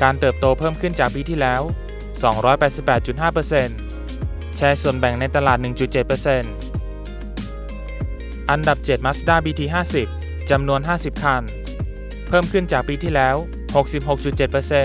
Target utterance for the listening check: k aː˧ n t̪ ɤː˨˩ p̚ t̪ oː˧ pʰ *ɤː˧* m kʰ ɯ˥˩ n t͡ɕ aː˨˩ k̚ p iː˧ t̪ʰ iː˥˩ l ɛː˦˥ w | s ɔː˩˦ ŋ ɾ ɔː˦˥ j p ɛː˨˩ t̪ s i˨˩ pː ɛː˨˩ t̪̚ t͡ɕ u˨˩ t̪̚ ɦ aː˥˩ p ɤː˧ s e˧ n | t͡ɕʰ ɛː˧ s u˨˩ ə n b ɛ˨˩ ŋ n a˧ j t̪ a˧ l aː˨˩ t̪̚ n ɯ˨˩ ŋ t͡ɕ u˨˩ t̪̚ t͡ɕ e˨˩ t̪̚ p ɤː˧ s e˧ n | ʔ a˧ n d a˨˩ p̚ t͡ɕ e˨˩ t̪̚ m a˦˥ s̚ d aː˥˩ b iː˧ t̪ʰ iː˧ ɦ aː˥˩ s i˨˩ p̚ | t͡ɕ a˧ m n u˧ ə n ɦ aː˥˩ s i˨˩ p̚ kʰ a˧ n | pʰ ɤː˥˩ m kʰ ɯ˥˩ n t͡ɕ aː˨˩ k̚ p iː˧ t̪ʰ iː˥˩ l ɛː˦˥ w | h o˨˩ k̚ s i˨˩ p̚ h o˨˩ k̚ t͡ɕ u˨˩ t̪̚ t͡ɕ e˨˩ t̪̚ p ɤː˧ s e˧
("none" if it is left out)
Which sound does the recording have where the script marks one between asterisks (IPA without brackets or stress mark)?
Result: ɤː˥˩